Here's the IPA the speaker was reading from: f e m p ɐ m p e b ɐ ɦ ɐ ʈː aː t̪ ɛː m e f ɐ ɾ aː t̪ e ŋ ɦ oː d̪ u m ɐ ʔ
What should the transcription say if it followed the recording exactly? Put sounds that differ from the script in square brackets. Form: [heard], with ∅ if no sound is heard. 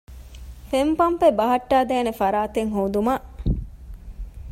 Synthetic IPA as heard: f e m p ɐ m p e b ɐ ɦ ɐ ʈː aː [d̪] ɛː [n] e f ɐ ɾ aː t̪ e ŋ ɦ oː d̪ u m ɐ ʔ